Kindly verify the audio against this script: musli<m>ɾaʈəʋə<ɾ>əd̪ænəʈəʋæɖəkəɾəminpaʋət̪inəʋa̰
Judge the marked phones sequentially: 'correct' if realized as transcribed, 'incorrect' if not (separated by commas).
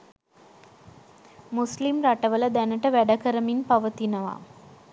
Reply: correct, incorrect